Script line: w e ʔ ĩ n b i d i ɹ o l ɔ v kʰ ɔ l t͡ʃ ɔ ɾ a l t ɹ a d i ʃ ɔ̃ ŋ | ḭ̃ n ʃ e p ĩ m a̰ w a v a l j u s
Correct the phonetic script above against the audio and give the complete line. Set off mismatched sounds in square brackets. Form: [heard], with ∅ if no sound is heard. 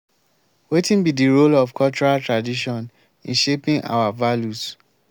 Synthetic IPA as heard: w e [t] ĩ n b i d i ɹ o l ɔ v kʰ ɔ l t͡ʃ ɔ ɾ a l t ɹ a d i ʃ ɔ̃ [n] | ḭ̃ n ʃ e p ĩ [ŋ] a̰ w a v a l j u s